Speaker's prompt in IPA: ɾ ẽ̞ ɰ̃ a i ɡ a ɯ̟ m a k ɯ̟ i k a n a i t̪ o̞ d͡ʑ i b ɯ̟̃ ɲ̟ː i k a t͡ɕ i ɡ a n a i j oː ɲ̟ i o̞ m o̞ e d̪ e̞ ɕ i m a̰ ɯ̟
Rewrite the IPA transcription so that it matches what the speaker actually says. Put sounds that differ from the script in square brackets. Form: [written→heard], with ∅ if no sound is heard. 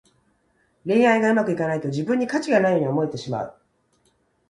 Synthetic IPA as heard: ɾ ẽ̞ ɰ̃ a i ɡ a ɯ̟ m a k ɯ̟ i k a n a i t̪ o̞ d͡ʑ i b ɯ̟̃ ɲ̟ː i k a t͡ɕ i ɡ a n a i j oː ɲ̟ i o̞ m o̞ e [d̪→t̪] e̞ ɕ i m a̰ ɯ̟